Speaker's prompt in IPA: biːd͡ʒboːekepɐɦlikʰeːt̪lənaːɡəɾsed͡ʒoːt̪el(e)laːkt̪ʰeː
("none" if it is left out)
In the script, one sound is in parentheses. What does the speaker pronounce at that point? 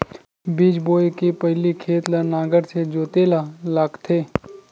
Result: a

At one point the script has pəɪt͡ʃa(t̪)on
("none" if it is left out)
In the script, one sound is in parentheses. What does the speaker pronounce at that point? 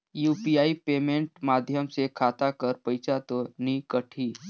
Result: t̪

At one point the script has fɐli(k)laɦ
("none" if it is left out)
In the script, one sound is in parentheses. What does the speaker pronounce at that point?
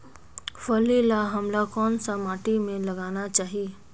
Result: none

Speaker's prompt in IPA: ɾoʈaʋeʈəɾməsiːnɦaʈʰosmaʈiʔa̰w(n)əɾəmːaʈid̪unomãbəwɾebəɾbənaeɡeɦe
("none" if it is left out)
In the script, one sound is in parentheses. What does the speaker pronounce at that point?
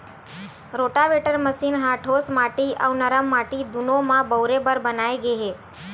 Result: n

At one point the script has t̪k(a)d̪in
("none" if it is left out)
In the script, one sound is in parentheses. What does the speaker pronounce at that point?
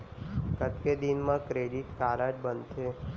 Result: e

